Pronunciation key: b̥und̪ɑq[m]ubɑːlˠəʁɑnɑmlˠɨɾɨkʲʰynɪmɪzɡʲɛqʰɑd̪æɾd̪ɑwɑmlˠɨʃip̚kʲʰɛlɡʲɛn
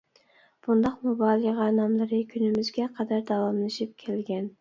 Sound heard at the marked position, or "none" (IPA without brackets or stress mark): m